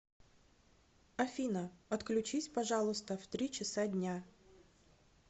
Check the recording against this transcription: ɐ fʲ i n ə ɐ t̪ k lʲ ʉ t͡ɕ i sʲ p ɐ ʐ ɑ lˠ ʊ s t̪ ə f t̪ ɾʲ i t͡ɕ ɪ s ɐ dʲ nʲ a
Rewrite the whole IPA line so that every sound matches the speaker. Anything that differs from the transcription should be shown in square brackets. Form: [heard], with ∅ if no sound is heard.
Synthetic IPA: ɐ fʲ i n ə ɐ t̪ k lʲ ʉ t͡ɕ i sʲ p ɐ ʐ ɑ lˠ ʊ s t̪ ə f t̪ ɾʲ i t͡ɕ ɪ s [a] dʲ nʲ a